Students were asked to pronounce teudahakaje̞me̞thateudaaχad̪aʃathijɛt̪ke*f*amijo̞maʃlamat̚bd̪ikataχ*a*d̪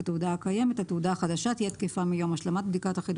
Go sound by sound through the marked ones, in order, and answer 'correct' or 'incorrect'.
correct, incorrect

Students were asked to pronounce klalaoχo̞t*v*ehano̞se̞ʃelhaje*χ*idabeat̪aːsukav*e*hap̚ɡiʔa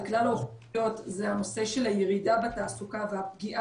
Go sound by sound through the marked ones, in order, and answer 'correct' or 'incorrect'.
incorrect, incorrect, correct

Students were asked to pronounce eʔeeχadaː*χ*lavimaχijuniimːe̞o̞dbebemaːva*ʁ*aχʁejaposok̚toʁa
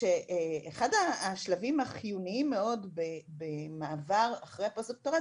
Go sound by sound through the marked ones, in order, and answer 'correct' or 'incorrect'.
incorrect, correct

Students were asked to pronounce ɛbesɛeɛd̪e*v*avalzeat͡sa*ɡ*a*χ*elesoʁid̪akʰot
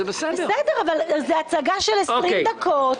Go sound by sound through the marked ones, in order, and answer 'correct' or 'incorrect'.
incorrect, correct, incorrect

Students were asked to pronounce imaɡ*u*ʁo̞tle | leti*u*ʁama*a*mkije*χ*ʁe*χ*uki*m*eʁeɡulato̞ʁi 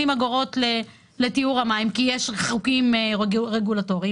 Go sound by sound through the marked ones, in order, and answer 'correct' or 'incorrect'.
incorrect, correct, incorrect, incorrect, correct, correct

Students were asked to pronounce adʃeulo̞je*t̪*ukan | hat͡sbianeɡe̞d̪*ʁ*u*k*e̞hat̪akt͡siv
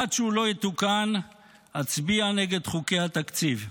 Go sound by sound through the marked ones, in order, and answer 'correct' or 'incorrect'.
correct, incorrect, correct

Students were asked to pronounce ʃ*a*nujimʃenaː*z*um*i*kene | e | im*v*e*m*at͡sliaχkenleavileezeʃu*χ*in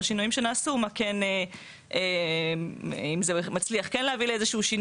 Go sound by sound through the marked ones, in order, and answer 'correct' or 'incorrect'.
incorrect, incorrect, incorrect, incorrect, correct, incorrect

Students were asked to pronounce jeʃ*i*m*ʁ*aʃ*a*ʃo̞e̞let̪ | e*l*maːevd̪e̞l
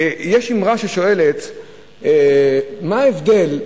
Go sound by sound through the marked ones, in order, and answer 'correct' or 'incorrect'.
correct, correct, incorrect, incorrect

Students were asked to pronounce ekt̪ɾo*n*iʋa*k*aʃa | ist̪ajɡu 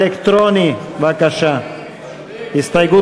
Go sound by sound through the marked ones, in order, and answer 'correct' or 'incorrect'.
correct, correct

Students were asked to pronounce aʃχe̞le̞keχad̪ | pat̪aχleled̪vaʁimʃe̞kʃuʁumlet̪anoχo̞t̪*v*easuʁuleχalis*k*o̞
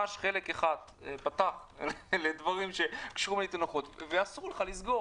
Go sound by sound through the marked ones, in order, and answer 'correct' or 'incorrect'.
correct, incorrect

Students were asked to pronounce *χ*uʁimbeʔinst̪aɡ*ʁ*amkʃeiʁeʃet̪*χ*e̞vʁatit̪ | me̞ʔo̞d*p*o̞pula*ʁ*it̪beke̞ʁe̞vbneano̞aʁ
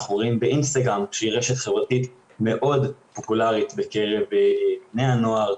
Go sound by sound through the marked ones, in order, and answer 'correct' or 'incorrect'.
correct, correct, correct, correct, correct

